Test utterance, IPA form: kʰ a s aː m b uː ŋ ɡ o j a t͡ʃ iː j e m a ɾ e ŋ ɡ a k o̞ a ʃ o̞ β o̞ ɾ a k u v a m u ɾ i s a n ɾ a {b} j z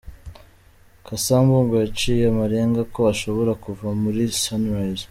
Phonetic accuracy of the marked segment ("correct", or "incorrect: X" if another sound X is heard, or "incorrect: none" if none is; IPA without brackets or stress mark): incorrect: none